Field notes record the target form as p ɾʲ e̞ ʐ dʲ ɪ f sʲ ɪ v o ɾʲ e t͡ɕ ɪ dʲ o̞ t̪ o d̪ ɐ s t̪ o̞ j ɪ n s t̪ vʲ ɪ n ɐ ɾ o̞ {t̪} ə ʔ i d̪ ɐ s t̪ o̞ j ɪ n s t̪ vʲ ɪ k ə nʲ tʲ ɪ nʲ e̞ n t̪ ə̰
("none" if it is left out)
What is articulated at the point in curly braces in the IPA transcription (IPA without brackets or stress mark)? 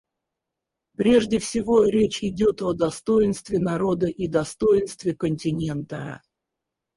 d̪